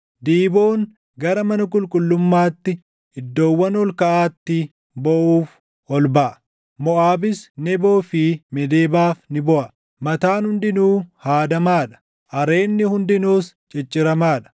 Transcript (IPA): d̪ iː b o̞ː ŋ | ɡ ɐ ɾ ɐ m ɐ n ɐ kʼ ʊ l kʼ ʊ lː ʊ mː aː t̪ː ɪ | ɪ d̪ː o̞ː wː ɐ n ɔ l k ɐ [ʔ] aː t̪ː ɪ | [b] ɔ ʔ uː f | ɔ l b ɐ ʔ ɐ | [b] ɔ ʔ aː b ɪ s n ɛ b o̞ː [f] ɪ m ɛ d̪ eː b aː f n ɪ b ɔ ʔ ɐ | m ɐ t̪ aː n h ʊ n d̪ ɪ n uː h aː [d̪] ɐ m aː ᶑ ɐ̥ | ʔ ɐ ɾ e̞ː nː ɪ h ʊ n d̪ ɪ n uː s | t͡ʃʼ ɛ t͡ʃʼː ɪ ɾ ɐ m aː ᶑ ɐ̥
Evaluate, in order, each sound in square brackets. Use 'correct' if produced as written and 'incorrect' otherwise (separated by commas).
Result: correct, correct, incorrect, correct, correct